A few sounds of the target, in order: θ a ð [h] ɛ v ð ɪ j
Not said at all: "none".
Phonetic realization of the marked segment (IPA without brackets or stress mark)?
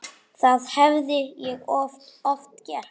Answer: h